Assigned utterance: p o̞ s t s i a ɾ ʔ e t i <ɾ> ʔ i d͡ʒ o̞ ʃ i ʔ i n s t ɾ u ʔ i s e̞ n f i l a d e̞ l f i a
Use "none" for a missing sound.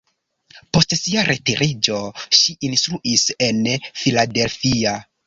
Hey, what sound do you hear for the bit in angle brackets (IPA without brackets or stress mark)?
ɾ